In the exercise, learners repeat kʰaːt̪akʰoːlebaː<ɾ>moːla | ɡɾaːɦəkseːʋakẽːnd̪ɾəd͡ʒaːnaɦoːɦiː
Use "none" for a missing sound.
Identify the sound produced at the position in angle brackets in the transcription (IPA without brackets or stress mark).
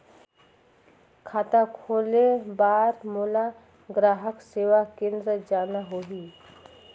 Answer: ɾ